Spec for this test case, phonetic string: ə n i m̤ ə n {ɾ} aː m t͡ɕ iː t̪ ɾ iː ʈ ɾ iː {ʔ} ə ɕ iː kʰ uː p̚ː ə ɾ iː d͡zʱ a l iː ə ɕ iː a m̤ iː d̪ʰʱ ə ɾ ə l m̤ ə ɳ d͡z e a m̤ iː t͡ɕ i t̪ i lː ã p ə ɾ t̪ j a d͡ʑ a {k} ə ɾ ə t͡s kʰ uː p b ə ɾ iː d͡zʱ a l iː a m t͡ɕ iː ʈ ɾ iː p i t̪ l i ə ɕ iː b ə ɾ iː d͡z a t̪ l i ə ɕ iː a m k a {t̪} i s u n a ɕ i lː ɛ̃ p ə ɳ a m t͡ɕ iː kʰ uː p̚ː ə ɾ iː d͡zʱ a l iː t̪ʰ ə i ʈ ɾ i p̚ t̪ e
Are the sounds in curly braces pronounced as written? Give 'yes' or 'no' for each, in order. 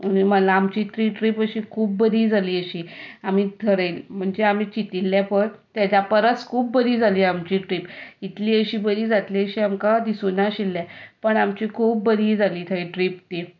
no, no, no, no

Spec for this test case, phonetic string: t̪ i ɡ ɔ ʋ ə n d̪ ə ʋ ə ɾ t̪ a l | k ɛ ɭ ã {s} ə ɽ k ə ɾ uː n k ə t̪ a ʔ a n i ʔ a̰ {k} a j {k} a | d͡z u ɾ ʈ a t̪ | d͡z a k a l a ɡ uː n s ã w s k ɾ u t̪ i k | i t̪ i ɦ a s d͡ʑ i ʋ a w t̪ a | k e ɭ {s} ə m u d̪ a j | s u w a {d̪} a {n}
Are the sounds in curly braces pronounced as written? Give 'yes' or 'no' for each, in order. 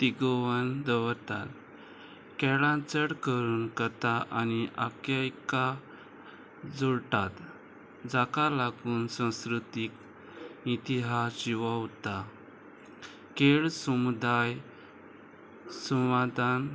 no, yes, yes, yes, yes, yes

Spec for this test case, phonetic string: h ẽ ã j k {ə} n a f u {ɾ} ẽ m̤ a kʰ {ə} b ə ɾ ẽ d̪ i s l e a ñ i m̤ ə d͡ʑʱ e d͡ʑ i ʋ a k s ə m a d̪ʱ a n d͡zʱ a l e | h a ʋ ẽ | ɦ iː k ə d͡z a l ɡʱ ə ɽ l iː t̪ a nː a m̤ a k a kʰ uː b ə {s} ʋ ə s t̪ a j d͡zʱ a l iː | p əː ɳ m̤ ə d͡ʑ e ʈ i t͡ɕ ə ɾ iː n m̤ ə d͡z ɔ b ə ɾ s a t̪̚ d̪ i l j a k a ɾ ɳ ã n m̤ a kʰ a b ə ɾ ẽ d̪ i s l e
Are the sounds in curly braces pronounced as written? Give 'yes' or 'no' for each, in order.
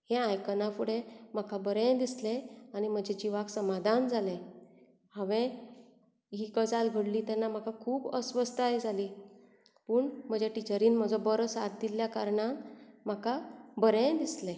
yes, no, no, yes

